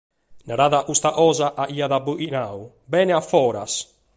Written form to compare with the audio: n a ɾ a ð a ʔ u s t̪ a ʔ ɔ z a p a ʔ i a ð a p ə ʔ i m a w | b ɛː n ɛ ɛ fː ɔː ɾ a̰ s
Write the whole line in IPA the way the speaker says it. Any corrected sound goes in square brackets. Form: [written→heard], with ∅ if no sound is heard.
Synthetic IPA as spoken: n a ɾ a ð a ʔ u s t̪ a ʔ ɔ z a [p→ʔ] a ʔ i a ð a [p→b] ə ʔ i [m→n] a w | b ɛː n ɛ [ɛ→a] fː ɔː ɾ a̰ s